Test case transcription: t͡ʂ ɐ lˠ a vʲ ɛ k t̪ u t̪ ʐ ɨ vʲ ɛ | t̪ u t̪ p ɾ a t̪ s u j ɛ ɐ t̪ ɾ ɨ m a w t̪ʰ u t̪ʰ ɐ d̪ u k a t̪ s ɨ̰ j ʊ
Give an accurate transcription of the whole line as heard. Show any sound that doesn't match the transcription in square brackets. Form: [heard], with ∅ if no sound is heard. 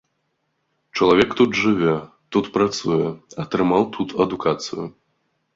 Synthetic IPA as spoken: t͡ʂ ɐ lˠ a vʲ ɛ k t̪ u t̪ ʐ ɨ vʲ ɛ | t̪ u t̪ p ɾ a t̪ s u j ɛ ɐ t̪ ɾ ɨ m a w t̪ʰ u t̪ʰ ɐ d̪ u k a t̪ s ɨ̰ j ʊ

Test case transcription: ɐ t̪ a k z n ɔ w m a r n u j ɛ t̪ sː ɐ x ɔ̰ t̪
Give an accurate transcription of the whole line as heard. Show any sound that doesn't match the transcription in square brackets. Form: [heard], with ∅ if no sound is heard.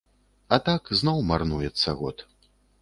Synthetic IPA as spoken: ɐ t̪ a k z n ɔ w m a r n u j ɛ t̪ sː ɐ [ɣ] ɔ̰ t̪

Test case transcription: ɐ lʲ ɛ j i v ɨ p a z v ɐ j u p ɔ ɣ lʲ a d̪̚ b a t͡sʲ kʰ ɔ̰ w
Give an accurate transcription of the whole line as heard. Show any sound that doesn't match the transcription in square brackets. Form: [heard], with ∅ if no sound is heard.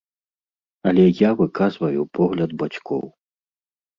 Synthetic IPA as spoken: ɐ lʲ ɛ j [a] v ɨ [k] a z v ɐ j u p ɔ ɣ lʲ [ɐ] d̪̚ b a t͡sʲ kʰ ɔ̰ w

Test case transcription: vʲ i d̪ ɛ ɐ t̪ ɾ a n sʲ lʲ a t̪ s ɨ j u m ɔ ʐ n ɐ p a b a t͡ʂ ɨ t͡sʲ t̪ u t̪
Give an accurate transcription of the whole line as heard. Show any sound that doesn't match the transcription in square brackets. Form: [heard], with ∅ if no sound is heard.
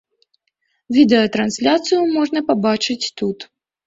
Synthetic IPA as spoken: vʲ i d̪ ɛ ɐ t̪ ɾ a n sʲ lʲ a t̪ s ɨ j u m ɔ ʐ n ɐ p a b a t͡ʂ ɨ t͡sʲ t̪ u t̪

